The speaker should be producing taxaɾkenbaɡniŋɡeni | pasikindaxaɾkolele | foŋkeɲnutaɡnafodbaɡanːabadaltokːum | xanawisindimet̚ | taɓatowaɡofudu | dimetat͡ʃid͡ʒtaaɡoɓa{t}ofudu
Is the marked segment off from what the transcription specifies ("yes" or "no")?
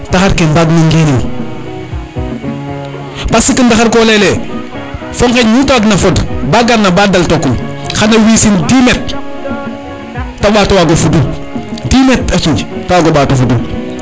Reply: no